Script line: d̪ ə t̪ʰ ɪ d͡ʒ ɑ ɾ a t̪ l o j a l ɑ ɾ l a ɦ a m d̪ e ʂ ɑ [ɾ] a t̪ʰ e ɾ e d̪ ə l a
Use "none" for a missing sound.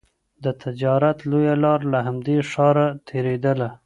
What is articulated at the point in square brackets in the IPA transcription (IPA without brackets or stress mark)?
ɾ